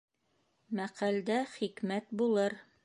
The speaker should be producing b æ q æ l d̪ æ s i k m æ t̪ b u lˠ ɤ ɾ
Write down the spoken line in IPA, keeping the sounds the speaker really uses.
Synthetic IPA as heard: m æ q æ l d̪ æ χ i k m æ t̪ b u lˠ ɤ ɾ